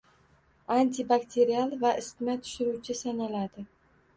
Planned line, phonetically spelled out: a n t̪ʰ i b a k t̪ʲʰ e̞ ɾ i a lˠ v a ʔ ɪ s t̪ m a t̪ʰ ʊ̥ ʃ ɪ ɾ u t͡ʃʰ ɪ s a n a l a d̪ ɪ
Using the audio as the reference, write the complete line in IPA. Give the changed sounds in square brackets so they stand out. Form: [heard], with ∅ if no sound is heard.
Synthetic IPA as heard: a n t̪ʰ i b a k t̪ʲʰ e̞ ɾ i a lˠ v a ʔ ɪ s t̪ m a t̪ʰ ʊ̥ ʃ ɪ ɾ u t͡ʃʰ ɪ s a n a l a d̪ ɪ